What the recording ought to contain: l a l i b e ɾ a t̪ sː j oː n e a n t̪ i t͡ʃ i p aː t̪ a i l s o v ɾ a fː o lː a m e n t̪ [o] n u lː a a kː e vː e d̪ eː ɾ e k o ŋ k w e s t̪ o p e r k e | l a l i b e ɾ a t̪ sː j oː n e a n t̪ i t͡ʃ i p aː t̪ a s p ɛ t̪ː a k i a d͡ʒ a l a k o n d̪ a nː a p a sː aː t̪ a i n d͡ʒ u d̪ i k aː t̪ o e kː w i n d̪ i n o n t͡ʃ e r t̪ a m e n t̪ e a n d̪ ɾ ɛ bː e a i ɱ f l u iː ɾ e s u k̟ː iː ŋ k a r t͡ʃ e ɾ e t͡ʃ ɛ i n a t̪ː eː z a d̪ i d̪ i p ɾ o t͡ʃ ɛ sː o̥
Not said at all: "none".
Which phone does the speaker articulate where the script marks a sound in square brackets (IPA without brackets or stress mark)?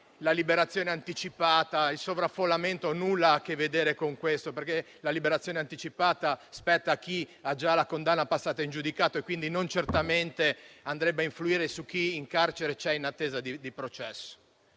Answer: o